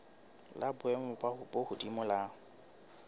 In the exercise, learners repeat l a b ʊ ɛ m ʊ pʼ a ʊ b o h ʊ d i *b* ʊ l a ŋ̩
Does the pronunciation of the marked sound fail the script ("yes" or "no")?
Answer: yes